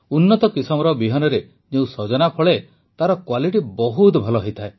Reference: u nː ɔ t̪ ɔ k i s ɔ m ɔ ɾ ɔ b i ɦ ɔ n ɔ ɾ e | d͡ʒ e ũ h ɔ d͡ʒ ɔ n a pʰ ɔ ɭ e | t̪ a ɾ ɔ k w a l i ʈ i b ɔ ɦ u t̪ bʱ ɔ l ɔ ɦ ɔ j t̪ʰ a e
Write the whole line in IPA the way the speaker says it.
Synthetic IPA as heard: u nː ɔ t̪ ɔ k i s ɔ m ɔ ɾ ɔ b i ɦ ɔ n ɔ ɾ e | d͡ʒ e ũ s ɔ d͡ʒ ɔ n a pʰ ɔ ɭ e | t̪ a ɾ ɔ k w a l i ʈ i b ɔ ɦ u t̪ bʱ ɔ l ɔ ɦ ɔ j t̪ʰ a e